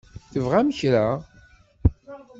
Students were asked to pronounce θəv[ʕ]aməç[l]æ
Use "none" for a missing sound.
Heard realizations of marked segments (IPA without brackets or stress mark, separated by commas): ʁ, ɾ